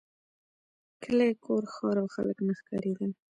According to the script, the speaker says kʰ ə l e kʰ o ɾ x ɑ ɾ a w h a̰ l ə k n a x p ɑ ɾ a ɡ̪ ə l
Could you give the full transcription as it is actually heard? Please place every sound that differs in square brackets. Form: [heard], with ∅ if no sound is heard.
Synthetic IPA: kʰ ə l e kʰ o ɾ x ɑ ɾ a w [x] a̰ l ə k n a x [k] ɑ ɾ [e] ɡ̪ ə l